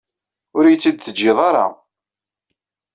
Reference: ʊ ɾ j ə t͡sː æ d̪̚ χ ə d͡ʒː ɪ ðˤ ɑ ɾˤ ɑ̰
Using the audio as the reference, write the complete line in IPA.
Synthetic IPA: ʊ ɾ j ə t͡sː i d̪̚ θ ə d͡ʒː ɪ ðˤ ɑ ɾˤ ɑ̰